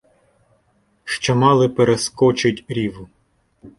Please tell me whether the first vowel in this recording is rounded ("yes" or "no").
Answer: yes